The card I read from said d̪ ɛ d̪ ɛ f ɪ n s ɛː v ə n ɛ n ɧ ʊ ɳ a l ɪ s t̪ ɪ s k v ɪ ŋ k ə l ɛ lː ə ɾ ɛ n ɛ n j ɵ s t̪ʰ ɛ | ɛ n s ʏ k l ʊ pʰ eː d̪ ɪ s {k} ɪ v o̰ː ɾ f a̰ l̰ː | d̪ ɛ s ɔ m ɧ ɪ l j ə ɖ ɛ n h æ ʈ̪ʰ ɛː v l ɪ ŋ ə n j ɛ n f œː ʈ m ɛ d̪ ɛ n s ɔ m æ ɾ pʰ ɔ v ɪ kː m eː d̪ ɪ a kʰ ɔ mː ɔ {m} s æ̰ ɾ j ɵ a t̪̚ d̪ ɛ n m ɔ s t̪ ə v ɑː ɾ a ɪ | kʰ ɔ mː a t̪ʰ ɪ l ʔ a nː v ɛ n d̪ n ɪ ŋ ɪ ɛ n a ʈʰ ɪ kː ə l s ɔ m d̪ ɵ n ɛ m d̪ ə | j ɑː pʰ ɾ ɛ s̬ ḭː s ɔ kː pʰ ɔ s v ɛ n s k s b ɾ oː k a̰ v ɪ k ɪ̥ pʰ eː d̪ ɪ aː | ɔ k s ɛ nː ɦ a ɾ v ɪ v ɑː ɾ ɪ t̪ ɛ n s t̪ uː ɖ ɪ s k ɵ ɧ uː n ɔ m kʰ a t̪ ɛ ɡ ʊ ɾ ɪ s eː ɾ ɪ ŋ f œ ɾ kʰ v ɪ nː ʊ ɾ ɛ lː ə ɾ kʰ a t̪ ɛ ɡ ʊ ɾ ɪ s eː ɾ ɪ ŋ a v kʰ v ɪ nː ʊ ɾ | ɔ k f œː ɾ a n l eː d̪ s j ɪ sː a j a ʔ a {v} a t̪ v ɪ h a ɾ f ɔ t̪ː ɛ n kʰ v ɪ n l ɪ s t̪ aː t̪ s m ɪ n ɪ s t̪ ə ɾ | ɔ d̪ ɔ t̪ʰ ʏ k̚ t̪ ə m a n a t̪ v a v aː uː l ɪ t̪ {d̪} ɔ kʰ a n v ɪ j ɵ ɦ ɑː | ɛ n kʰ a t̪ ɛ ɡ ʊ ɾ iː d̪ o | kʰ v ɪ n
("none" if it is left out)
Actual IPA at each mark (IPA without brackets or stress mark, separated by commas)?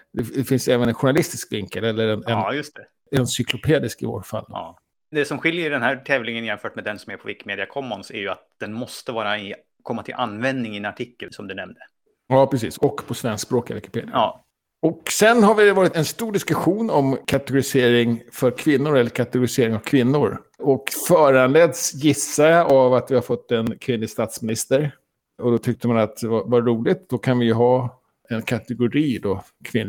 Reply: k, n, v, d̪